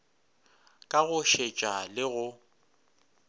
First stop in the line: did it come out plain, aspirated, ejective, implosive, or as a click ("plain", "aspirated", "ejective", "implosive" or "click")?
ejective